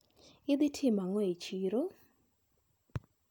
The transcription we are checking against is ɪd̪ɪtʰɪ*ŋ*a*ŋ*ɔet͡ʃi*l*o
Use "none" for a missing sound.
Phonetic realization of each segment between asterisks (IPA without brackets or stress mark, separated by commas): m, ŋ, ɾ